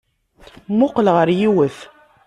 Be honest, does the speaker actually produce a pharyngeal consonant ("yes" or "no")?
no